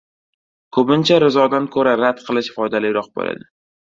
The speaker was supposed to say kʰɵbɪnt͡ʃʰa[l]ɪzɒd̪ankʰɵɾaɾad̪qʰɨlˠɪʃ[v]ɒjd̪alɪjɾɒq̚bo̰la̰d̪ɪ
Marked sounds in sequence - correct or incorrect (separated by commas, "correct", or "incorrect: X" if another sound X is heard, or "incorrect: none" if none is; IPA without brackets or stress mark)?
incorrect: ɾ, incorrect: f